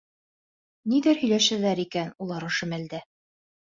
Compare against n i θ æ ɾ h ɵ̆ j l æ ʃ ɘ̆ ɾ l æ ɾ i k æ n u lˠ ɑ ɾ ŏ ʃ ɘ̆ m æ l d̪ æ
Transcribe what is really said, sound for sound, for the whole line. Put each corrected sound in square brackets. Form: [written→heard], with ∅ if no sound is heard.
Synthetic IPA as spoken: n i [θ→ð] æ ɾ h ɵ̆ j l æ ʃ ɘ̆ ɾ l æ ɾ i k æ n u lˠ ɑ ɾ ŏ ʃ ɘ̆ m æ l d̪ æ